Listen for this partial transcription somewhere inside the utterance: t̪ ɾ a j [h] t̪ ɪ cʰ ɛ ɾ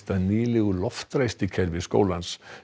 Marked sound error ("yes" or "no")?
yes